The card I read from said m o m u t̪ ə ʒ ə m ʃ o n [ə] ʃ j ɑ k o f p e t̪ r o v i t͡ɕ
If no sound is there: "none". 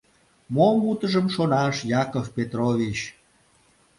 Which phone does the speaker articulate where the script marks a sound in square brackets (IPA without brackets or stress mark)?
ɑ